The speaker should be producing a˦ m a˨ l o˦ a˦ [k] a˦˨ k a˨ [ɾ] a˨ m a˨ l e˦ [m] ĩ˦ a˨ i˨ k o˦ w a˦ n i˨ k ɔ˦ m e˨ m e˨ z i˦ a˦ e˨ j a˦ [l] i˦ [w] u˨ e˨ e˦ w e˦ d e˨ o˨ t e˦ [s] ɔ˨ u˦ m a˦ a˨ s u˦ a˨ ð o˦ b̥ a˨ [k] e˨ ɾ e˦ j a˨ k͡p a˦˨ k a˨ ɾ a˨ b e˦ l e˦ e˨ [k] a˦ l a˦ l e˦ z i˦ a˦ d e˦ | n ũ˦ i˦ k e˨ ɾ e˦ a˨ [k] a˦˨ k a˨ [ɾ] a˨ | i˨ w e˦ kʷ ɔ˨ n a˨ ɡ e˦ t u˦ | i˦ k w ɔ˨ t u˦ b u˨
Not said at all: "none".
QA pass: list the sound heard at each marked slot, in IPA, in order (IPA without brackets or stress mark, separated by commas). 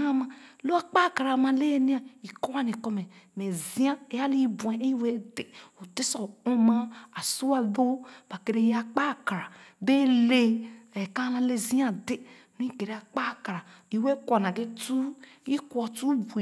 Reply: k͡p, ɾ, n, l, b, s, k, k, k͡p, ɾ